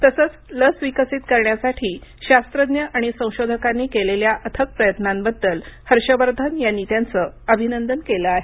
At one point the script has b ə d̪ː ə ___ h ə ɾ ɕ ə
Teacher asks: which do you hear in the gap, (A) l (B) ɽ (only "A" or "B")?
A